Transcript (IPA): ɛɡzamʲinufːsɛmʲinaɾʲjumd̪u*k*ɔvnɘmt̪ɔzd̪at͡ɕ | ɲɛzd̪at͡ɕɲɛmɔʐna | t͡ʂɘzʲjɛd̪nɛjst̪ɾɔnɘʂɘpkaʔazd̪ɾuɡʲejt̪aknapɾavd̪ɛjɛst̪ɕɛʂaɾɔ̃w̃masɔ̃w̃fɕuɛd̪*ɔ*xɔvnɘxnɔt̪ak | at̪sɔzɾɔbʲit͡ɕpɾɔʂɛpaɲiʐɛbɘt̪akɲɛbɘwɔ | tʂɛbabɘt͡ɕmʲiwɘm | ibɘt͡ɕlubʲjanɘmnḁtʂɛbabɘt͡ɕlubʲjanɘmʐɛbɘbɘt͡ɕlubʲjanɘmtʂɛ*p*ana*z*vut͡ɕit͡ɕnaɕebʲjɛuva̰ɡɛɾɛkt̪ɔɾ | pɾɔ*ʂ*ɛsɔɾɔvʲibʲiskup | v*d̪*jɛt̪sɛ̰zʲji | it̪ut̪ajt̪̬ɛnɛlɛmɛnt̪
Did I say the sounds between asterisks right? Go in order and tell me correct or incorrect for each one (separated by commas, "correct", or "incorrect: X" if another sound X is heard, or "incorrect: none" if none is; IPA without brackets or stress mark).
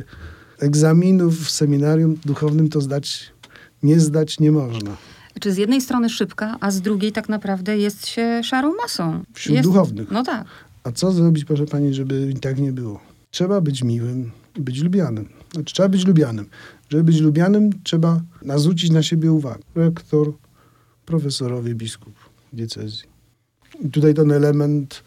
incorrect: x, incorrect: u, incorrect: b, correct, incorrect: f, correct